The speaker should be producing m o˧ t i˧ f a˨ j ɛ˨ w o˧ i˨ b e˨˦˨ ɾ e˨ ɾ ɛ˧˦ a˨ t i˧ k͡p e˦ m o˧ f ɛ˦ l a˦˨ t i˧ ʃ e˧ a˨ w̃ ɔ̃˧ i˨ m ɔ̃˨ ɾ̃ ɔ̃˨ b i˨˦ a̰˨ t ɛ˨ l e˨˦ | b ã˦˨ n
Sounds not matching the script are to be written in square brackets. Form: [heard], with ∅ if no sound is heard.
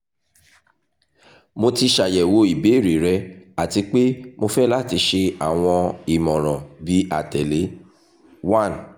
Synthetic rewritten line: m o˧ t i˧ [ʃ] a˨ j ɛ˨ w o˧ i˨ b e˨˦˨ ɾ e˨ ɾ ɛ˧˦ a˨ t i˧ k͡p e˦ m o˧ f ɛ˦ l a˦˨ t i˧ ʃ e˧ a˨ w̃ ɔ̃˧ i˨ m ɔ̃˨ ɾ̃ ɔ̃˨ b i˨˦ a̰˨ t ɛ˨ l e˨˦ | [w] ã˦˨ n